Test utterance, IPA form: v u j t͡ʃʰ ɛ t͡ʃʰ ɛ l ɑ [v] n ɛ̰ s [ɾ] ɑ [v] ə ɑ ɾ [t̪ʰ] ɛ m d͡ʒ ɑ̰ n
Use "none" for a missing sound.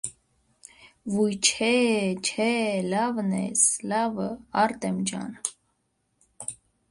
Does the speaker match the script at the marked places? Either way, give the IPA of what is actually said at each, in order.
v, l, v, t̪

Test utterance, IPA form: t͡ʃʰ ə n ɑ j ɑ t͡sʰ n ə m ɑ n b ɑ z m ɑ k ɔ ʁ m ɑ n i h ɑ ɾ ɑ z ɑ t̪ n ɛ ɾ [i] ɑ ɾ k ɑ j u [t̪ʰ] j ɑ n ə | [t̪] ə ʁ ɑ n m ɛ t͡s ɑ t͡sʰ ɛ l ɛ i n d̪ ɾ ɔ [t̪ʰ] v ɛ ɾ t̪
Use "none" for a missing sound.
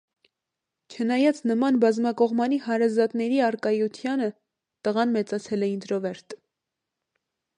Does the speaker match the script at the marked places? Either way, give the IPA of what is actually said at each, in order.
i, t̪ʰ, t̪, none

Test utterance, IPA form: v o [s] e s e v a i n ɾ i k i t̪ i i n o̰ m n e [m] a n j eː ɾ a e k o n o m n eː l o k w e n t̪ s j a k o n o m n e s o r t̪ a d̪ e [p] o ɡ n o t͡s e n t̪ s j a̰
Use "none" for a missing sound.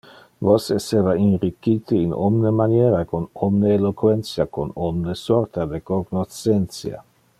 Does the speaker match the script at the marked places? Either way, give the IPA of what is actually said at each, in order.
s, m, k

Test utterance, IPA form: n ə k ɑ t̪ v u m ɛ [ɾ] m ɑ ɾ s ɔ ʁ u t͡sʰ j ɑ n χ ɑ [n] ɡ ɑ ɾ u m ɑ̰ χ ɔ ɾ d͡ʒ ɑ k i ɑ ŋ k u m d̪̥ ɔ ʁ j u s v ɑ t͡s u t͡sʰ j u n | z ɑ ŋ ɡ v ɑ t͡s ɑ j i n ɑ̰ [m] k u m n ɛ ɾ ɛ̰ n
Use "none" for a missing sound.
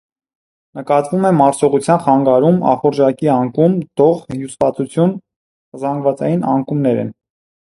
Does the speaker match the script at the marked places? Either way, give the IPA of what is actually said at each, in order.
none, ŋ, ŋ

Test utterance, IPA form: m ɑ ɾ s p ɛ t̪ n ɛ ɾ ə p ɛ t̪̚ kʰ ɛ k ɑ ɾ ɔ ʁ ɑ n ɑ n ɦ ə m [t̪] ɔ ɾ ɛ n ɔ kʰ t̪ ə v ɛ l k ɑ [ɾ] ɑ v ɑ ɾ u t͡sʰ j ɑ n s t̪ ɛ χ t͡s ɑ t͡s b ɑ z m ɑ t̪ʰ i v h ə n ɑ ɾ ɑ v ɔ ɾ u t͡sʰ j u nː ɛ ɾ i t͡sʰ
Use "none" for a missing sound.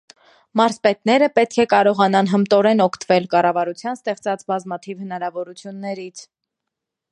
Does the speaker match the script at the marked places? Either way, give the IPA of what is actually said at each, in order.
t̪, r

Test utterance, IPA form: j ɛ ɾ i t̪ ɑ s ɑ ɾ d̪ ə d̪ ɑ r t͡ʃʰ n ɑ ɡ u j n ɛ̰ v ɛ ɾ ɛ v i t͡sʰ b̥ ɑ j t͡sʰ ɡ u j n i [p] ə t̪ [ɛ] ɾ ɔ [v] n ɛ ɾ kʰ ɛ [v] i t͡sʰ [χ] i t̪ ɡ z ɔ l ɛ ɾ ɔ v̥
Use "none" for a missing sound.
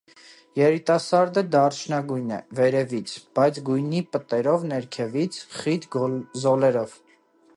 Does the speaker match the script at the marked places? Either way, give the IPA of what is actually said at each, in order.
p, ɛ, v, v, χ

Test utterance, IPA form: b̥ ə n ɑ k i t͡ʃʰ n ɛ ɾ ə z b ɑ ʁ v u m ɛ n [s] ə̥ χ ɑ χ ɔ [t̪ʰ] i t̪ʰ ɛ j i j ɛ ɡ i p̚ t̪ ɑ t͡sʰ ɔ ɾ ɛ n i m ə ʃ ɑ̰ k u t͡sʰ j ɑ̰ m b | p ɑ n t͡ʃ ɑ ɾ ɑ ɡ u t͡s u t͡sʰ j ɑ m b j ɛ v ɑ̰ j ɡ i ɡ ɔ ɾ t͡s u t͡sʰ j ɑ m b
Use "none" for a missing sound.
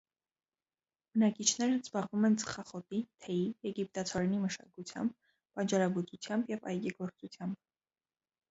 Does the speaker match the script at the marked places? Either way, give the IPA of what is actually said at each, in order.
t͡s, t̪

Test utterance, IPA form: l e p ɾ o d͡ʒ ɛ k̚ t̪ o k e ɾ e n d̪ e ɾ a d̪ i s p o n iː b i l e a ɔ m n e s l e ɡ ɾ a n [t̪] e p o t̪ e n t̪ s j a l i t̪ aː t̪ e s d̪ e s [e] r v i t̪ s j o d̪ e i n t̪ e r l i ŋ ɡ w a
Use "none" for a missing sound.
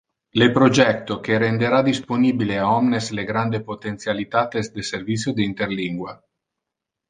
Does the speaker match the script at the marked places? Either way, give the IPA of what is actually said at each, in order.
d̪, e

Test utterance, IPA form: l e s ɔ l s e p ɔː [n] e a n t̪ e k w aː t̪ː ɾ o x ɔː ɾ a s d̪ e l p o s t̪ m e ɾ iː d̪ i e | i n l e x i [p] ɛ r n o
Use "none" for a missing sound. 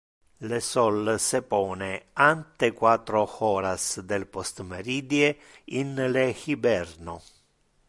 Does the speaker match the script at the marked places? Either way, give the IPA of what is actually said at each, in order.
n, b

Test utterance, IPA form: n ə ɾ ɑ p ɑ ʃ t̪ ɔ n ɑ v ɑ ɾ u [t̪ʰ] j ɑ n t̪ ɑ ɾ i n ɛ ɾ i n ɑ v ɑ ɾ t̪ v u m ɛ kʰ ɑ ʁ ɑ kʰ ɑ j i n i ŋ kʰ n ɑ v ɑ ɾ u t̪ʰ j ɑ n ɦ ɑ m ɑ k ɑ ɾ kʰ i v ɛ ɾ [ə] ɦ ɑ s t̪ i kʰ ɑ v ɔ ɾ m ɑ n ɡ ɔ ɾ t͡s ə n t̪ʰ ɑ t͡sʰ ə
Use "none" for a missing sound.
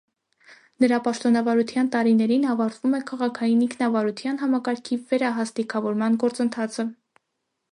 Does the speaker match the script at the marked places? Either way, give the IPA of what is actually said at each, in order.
t̪ʰ, ɑ

